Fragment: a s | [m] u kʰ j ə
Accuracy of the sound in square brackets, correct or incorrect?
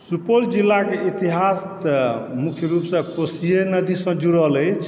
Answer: correct